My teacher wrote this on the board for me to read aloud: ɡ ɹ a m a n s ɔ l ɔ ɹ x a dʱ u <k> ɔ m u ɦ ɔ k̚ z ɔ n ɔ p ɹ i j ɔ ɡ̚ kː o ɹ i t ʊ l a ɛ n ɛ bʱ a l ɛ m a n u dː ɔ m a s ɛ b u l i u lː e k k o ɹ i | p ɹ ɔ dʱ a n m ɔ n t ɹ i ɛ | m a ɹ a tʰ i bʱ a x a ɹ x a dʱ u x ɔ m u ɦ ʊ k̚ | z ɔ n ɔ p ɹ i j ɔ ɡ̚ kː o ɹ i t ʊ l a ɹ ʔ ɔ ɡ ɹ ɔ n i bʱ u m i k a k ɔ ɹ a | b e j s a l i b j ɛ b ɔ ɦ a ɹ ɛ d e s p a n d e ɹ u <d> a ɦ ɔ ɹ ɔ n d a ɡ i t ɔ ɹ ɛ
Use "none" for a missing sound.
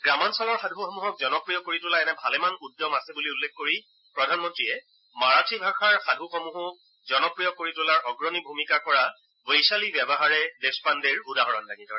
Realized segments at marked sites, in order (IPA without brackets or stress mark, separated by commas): x, d